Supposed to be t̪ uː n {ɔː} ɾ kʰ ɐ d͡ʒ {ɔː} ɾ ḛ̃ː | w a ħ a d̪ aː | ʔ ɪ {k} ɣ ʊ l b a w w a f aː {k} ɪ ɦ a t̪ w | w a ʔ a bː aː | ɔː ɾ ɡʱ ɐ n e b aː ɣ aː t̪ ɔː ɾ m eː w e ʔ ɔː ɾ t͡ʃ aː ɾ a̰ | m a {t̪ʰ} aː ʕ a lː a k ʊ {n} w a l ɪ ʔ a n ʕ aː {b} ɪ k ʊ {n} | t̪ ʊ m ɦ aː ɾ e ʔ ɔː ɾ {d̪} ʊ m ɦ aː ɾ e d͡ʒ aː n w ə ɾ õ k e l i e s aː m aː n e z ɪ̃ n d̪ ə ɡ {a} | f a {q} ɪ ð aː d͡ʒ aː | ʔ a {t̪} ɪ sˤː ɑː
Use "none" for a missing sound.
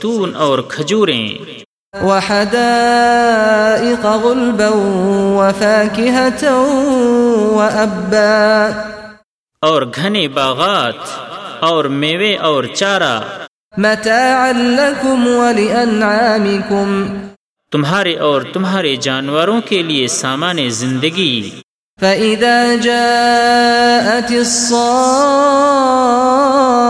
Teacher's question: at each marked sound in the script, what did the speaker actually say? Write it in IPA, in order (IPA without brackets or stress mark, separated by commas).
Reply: ɔː, uː, q, k, t̪, m, m, m, t̪, i, ʔ, t̪